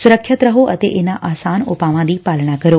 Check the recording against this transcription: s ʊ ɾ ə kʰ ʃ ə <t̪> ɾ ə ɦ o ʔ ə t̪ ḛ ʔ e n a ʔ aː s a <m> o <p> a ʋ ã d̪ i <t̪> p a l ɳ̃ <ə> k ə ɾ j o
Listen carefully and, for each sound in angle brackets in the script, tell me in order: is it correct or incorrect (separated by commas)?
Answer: correct, incorrect, correct, incorrect, incorrect